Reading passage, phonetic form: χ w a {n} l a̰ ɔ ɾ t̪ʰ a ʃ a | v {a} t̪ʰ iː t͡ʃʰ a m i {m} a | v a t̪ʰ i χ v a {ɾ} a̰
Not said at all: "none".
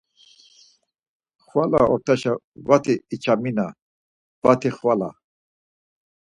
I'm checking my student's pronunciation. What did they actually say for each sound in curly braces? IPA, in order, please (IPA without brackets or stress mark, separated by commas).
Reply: none, a, n, l